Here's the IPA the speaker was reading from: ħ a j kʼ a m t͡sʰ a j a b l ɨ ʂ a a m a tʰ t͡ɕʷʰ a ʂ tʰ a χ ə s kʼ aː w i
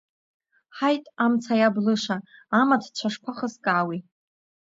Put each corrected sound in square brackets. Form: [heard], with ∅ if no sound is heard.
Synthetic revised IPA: ħ a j [tʼ] a m t͡sʰ a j a b l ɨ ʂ a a m a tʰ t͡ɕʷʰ a ʂ [pʰ] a χ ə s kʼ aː w i